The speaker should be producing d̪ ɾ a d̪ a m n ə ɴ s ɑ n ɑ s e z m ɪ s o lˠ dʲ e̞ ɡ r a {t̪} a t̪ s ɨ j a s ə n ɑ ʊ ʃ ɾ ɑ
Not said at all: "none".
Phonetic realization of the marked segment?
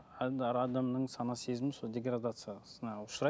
d̪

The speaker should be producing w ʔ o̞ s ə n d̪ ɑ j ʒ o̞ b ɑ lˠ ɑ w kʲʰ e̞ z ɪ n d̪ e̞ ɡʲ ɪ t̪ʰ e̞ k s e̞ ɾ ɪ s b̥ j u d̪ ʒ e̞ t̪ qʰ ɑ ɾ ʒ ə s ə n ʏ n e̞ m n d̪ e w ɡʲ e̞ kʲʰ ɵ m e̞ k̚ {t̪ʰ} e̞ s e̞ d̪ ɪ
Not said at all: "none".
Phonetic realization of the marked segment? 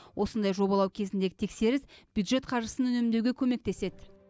t̪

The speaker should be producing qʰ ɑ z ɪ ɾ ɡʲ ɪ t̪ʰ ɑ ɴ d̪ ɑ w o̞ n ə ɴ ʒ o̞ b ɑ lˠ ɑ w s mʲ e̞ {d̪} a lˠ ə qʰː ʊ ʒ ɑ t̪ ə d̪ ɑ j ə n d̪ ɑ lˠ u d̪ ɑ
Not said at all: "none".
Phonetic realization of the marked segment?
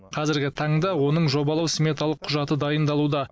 t̪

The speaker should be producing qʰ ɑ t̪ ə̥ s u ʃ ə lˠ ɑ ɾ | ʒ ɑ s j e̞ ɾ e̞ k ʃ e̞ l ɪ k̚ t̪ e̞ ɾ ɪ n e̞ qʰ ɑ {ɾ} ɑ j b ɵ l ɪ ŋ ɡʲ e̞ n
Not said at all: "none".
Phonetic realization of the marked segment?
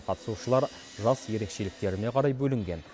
ɾ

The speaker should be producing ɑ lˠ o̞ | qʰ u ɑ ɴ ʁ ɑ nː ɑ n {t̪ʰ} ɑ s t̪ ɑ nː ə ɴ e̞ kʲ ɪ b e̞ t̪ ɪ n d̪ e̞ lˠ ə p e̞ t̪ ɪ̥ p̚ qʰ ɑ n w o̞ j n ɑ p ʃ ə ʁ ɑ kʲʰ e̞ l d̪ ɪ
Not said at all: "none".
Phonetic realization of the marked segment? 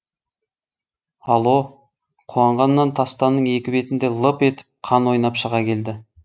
t̪ʰ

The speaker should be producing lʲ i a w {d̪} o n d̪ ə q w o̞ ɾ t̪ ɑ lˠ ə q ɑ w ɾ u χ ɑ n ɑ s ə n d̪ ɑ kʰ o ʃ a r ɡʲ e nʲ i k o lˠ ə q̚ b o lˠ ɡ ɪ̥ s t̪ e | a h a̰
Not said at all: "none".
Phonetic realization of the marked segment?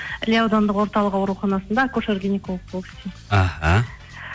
d̪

